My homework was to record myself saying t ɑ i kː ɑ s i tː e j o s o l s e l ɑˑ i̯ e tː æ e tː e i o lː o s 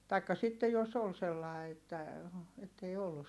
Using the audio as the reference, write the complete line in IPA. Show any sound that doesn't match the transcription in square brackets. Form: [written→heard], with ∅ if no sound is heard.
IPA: t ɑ i kː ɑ s i tː e j o s o l s e [l→lː] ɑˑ i̯ e tː æ e tː e i o lː [o→u] s